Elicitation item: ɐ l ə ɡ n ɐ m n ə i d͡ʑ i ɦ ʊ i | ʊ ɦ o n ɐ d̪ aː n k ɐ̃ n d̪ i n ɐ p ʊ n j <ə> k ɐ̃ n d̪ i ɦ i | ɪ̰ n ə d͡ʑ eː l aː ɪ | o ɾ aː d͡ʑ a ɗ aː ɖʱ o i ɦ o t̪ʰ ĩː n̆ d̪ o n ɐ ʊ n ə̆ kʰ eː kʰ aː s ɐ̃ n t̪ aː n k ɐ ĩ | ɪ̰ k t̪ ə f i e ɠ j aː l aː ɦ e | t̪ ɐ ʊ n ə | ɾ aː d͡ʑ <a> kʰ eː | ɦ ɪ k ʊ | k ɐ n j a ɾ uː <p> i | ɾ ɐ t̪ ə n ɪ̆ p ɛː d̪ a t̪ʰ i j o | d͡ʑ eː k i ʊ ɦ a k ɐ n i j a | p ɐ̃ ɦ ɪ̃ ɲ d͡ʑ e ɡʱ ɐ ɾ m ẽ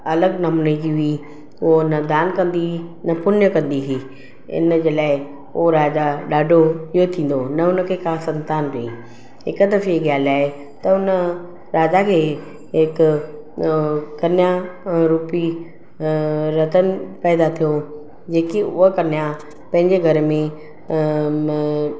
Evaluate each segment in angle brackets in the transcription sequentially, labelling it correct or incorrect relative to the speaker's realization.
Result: correct, correct, correct

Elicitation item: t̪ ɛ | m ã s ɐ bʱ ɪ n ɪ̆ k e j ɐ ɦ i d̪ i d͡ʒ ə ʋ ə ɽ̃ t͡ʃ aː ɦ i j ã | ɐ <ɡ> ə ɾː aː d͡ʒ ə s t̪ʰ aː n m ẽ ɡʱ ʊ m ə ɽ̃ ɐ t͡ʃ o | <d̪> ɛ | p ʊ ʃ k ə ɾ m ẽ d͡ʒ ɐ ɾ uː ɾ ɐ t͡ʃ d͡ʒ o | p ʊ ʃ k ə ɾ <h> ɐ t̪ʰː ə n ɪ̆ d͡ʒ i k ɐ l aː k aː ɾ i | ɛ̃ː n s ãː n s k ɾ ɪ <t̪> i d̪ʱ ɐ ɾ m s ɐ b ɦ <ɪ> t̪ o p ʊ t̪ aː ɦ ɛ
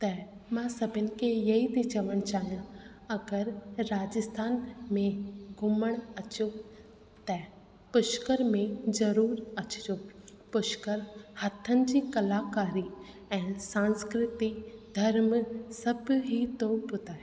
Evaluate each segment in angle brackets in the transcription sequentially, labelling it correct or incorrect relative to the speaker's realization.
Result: correct, incorrect: t̪, correct, correct, incorrect: i

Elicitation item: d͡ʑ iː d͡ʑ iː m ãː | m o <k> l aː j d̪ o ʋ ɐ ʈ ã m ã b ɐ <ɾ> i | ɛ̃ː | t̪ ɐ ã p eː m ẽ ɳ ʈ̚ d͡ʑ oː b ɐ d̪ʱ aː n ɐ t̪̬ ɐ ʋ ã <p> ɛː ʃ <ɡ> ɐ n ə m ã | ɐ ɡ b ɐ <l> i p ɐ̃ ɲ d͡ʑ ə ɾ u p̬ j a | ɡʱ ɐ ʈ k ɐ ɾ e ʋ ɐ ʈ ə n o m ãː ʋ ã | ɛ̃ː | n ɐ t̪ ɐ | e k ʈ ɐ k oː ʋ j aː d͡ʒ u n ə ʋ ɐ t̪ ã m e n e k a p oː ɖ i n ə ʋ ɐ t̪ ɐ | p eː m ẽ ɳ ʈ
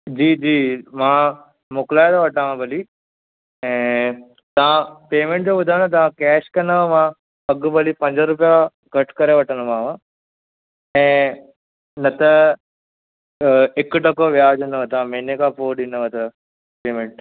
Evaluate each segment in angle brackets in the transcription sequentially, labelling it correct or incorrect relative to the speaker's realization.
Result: correct, incorrect: l, incorrect: k, incorrect: k, correct

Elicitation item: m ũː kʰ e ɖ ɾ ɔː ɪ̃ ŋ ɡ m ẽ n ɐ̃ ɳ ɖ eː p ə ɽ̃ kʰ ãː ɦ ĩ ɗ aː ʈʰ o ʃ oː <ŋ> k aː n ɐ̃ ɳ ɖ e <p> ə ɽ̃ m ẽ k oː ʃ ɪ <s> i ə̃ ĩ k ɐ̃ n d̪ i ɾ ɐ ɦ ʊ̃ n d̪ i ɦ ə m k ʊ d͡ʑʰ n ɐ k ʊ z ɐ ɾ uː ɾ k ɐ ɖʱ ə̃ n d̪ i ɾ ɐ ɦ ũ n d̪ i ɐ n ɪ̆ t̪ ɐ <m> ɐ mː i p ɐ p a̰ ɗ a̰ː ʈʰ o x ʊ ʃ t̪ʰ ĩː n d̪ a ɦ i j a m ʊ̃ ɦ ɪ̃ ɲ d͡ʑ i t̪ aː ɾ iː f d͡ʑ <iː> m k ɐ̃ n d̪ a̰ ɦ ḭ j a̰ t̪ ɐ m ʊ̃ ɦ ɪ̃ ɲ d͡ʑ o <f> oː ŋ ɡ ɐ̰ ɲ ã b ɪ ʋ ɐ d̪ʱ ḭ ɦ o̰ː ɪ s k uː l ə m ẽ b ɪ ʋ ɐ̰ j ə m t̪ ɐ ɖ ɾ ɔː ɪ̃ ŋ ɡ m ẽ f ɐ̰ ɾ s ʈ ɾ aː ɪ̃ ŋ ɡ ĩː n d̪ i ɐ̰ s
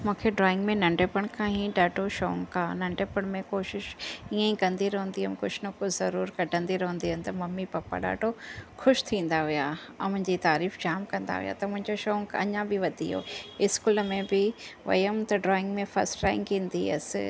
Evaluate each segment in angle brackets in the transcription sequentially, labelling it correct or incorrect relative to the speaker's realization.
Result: correct, correct, incorrect: ʃ, correct, incorrect: aː, incorrect: ʃ

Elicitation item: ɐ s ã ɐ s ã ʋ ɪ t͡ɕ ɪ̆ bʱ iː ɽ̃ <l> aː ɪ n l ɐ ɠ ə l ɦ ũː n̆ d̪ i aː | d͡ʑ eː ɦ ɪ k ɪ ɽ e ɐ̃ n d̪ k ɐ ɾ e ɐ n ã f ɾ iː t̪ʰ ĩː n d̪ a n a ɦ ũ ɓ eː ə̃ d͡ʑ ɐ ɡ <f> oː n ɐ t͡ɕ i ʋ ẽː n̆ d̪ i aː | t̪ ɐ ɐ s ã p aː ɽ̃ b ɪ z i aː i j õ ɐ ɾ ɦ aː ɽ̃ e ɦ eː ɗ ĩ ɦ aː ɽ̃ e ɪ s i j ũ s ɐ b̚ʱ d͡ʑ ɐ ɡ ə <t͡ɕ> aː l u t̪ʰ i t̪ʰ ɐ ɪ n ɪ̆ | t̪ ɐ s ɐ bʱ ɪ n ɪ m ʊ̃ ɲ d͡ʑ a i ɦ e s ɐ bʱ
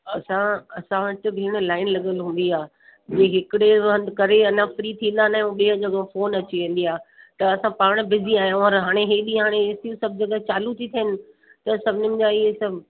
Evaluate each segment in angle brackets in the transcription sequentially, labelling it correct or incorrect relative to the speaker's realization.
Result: correct, correct, correct

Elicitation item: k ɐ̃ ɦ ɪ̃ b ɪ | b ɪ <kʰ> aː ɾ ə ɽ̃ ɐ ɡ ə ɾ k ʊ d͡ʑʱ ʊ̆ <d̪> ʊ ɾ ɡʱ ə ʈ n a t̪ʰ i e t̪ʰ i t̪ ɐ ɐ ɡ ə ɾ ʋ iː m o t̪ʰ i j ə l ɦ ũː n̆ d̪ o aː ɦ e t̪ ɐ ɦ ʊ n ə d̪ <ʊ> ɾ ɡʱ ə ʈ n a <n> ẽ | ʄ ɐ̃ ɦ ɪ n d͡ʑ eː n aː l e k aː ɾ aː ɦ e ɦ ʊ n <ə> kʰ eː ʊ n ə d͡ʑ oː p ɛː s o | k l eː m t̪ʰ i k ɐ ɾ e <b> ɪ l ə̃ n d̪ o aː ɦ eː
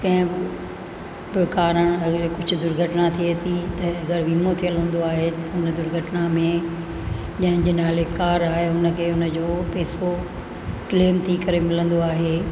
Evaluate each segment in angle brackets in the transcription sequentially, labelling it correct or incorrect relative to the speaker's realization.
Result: incorrect: k, correct, correct, incorrect: m, correct, incorrect: m

